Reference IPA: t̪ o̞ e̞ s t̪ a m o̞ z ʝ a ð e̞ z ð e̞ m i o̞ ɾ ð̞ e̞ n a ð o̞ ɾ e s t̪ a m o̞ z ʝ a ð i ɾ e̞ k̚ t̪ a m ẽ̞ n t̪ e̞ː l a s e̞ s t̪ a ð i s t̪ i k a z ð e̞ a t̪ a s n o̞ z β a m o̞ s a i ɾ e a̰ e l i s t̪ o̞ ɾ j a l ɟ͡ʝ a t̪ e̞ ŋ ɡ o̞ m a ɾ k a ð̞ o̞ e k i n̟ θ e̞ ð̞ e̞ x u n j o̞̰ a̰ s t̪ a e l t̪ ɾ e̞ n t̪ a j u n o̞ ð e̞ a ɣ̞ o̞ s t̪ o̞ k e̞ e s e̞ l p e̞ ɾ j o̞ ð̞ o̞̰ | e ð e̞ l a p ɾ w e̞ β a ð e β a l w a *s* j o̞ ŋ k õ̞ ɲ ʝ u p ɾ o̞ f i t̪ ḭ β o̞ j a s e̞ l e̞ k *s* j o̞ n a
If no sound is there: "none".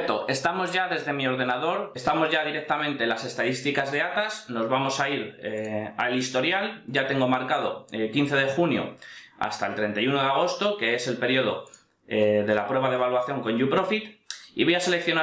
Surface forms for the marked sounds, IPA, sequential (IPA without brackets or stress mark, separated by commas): θ, θ